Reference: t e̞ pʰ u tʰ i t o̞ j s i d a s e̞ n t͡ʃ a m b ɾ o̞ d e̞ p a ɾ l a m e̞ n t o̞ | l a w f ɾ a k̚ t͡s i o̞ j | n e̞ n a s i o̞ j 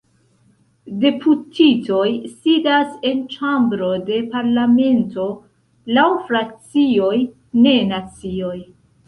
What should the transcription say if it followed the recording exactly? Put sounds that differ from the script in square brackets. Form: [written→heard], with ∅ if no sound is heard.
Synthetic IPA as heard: [t→d] e̞ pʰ u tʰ i t o̞ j s i d a s e̞ n t͡ʃ a m b ɾ o̞ d e̞ p a ɾ l a m e̞ n t o̞ | l a w f ɾ a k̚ t͡s i o̞ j | n e̞ n a [s→t͡s] i o̞ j

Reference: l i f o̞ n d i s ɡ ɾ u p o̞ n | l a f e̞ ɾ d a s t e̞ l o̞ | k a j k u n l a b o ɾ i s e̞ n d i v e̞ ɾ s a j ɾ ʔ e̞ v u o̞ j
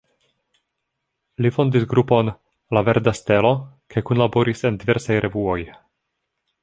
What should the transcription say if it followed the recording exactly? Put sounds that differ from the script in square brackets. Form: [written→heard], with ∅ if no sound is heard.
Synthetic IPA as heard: l i f o̞ n d i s ɡ ɾ u p o̞ n | l a [f→v] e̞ ɾ d a s t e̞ l o̞ | k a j k u n l a b o ɾ i s e̞ n d i v e̞ ɾ s a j ɾ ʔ e̞ v u o̞ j

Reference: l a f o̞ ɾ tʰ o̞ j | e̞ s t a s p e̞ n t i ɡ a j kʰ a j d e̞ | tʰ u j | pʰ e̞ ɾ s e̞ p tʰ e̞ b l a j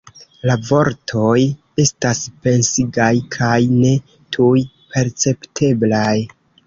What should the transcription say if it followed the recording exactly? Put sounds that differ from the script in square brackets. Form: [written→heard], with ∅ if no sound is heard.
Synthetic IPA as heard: l a [f→v] o̞ ɾ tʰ o̞ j | e̞ s t a s p e̞ n [t→s] i ɡ a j kʰ a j [d→n] e̞ | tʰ u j | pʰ e̞ ɾ [s→t͡s] e̞ p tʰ e̞ b l a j

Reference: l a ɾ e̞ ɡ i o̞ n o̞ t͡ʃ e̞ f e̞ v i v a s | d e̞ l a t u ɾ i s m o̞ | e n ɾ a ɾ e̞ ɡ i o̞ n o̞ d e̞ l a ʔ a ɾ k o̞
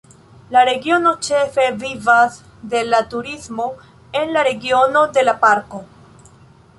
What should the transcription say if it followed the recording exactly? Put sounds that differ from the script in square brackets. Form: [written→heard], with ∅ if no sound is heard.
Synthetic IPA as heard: l a ɾ e̞ ɡ i o̞ n o̞ t͡ʃ e̞ f e̞ v i v a s | d e̞ l a t u ɾ i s m o̞ | e n [ɾ→l] a ɾ e̞ ɡ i o̞ n o̞ d e̞ l a [ʔ→p] a ɾ k o̞

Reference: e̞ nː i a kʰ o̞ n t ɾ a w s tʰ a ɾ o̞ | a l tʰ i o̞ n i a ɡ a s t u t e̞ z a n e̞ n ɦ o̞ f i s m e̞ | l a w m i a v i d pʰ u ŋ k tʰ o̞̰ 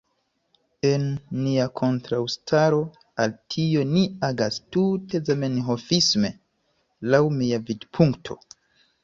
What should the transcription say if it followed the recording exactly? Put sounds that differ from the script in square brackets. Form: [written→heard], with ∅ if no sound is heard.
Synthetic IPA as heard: e̞ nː i a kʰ o̞ n t ɾ a w s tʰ a ɾ o̞ | a l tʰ i o̞ n i a ɡ a s t u t e̞ z a [n→m] e̞ n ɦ o̞ f i s m e̞ | l a w m i a v i d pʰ u ŋ k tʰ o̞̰

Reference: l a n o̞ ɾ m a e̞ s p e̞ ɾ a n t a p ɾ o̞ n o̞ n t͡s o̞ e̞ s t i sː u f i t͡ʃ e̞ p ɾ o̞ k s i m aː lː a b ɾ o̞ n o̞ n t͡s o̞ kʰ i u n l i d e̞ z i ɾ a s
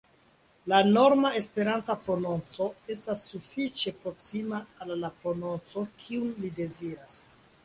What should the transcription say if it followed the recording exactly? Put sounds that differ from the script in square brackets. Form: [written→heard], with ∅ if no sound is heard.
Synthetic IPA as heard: l a n o̞ ɾ m a e̞ s p e̞ ɾ a n t a p ɾ o̞ n o̞ n t͡s o̞ e̞ s t [i→a] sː u f i t͡ʃ e̞ p ɾ o̞ k s i m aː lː a [b→p] ɾ o̞ n o̞ n t͡s o̞ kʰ i u n l i d e̞ z i ɾ a s

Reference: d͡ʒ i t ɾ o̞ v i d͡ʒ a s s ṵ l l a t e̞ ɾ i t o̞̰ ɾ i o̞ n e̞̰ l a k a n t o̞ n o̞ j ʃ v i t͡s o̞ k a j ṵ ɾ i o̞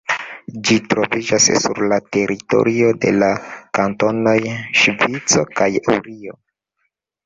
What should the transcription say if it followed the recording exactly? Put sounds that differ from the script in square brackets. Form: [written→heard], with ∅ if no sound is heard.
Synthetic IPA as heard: d͡ʒ i t ɾ o̞ v i d͡ʒ a s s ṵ [l→ɾ] l a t e̞ ɾ i t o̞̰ ɾ i o̞ [n→d] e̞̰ l a k a n t o̞ n o̞ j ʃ v i t͡s o̞ k a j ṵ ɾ i o̞

